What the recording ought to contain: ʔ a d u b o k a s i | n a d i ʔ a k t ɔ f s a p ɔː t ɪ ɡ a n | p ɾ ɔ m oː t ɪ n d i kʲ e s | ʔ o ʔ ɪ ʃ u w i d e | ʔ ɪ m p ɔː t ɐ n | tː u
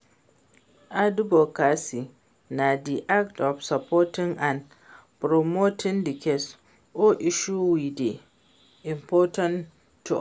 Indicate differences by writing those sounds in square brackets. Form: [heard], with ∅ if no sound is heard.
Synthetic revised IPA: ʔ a d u b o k a s i | n a d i ʔ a k t ɔ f s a p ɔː t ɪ [ŋ] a n | p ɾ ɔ m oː t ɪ n d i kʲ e s | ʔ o ʔ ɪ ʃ u w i d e | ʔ ɪ m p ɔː t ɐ n | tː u